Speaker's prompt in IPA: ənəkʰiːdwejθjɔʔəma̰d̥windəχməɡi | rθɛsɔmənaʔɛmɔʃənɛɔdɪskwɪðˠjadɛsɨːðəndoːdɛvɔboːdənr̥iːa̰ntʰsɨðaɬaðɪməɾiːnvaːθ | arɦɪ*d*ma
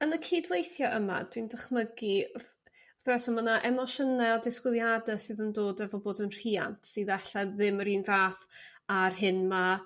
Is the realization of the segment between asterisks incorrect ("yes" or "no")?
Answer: yes